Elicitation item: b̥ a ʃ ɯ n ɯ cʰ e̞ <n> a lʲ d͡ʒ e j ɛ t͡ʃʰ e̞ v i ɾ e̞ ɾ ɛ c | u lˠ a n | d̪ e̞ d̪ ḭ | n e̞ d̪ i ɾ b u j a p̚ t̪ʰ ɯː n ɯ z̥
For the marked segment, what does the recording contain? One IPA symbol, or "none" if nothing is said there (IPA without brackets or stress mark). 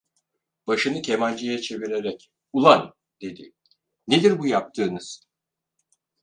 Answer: m